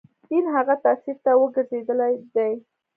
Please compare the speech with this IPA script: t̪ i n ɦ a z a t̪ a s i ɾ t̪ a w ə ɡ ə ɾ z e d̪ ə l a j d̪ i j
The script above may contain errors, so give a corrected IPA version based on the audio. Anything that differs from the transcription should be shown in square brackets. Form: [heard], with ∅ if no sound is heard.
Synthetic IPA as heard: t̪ i n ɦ a [ɣ] a t̪ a s i ɾ t̪ a w ə ɡ ə ɾ z e d̪ ə l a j d̪ [a] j